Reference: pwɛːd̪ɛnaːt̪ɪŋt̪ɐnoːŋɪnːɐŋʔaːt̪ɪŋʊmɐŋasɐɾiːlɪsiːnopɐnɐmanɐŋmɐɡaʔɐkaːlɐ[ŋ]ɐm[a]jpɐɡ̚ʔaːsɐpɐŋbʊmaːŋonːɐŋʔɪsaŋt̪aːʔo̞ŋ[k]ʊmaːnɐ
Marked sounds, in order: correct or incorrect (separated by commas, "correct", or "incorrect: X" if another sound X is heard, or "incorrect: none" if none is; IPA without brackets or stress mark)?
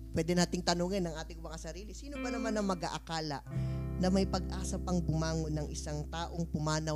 incorrect: n, incorrect: ɐ, incorrect: p